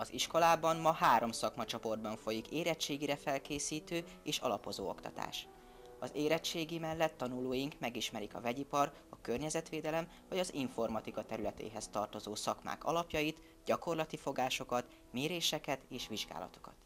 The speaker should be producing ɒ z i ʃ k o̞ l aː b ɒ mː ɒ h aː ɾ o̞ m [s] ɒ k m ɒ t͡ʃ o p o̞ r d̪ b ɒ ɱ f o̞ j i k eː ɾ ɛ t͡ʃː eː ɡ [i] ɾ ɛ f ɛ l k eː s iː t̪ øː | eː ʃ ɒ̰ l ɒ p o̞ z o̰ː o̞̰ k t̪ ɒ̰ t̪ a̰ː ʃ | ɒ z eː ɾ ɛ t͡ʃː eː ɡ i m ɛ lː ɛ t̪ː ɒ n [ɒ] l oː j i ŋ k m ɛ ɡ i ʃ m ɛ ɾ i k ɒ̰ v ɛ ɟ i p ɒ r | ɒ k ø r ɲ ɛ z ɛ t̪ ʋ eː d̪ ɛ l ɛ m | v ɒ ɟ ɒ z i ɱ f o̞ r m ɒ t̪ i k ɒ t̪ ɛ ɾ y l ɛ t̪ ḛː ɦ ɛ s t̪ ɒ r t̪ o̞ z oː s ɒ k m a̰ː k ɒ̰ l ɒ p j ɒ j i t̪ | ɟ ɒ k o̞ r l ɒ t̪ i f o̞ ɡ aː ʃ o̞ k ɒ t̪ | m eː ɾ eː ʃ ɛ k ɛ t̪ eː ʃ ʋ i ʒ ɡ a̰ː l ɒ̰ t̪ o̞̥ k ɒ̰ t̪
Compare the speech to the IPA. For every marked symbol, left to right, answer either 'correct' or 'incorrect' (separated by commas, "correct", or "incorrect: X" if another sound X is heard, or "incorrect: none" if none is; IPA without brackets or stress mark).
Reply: correct, correct, incorrect: u